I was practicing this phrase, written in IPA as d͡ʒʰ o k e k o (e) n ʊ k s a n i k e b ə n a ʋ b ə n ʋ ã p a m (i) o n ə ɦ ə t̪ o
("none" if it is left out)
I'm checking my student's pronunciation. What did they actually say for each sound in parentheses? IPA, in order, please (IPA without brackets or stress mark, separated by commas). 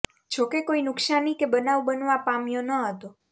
i, j